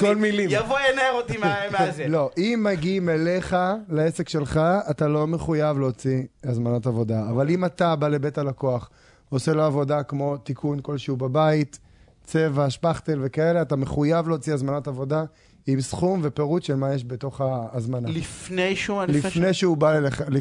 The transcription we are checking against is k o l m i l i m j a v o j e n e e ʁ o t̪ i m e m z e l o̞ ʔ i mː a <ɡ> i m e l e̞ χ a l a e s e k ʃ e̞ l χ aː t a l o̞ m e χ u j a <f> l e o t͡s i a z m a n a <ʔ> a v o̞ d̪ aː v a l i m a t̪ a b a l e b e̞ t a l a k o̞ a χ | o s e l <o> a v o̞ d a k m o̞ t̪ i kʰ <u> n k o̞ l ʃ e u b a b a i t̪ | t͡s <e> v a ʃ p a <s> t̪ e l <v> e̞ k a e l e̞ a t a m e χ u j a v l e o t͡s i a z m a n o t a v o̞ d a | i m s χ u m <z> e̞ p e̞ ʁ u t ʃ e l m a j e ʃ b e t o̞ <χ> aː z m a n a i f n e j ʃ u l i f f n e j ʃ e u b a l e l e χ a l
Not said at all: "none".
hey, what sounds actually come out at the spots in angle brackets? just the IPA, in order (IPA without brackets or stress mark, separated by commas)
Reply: ɡ, v, t, o, u, e, χ, v, v, χ